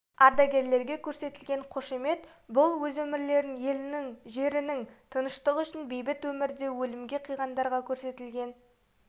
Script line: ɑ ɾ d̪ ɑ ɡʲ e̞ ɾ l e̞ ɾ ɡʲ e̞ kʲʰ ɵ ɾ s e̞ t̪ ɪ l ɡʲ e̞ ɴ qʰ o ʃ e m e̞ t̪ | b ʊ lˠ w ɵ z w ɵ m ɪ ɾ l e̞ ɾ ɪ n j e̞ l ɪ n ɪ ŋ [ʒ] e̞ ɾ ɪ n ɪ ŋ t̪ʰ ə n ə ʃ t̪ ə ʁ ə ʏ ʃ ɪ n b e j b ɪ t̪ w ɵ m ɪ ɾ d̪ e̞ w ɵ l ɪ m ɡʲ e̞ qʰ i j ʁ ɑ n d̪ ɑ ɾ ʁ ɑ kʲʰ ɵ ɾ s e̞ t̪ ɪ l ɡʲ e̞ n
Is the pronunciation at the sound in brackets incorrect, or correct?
correct